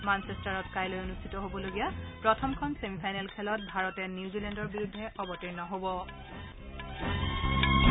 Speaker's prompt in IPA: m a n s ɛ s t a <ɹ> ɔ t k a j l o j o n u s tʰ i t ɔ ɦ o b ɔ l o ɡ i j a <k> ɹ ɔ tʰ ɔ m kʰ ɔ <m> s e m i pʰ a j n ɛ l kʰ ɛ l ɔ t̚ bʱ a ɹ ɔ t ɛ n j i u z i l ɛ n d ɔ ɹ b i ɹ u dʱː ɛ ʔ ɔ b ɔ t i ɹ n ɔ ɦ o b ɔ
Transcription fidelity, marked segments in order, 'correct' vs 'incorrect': correct, incorrect: p, incorrect: n

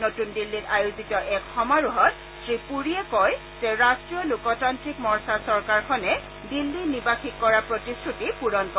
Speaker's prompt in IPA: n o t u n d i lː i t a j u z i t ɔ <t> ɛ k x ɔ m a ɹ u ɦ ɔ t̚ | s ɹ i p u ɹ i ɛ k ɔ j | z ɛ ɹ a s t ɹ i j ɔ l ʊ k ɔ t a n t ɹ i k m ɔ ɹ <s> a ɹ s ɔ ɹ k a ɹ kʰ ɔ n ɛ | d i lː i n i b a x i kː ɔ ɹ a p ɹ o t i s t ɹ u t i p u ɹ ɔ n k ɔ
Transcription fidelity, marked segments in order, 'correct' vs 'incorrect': incorrect: ʔ, correct

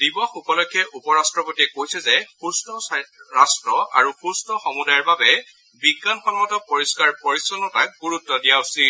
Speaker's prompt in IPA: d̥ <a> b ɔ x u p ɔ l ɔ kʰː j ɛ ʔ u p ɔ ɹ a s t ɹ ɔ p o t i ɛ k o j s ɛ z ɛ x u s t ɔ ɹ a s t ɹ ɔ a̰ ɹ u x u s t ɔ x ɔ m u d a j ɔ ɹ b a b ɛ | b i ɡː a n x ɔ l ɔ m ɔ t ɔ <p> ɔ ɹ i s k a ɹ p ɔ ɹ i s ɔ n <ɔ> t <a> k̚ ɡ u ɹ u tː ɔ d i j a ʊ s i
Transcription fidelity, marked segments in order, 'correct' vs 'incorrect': incorrect: i, correct, correct, correct

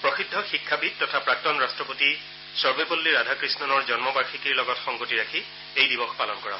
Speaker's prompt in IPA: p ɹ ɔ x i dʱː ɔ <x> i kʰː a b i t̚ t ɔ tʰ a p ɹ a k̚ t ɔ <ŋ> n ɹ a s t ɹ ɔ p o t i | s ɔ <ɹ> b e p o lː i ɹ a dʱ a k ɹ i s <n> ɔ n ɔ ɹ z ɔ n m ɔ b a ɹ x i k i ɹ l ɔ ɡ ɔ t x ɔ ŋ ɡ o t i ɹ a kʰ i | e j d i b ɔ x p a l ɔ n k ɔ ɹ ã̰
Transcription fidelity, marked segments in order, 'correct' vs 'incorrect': correct, incorrect: none, correct, correct

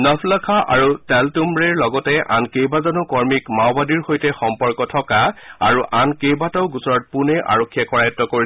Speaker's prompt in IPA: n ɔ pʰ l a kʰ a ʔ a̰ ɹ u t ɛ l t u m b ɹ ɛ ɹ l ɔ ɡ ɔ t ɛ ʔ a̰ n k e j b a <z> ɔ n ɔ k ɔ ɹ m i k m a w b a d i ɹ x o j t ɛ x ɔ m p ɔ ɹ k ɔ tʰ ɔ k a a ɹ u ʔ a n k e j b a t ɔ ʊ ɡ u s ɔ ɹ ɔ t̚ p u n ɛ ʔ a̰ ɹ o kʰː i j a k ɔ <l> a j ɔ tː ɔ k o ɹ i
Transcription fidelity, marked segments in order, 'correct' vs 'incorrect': correct, incorrect: ɹ

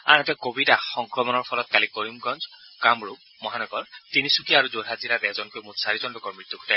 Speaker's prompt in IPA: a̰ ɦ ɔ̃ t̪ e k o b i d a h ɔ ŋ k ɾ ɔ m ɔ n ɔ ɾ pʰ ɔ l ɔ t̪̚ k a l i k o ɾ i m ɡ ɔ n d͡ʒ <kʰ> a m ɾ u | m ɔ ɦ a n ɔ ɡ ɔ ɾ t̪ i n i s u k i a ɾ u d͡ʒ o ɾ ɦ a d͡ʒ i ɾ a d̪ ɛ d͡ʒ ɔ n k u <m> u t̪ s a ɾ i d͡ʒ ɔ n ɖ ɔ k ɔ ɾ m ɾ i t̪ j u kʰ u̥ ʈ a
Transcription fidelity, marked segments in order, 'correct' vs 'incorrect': incorrect: k, correct

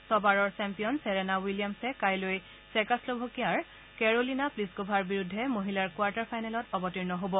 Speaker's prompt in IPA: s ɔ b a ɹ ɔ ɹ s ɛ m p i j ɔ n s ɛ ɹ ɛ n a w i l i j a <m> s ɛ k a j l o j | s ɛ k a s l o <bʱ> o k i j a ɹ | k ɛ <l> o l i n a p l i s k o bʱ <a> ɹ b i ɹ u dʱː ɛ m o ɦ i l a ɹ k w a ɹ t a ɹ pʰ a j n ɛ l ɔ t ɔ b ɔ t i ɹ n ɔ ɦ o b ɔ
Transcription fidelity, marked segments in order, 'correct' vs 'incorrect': correct, correct, incorrect: ɹ, correct

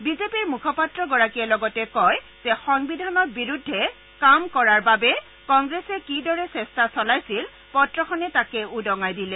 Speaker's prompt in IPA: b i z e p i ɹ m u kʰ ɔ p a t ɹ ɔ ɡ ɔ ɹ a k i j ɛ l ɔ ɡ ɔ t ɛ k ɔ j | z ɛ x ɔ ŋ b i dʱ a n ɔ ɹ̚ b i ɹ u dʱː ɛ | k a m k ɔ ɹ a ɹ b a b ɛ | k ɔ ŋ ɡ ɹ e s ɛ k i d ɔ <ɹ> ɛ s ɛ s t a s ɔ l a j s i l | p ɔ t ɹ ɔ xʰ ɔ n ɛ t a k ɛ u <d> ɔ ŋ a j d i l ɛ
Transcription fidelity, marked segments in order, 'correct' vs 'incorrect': correct, correct

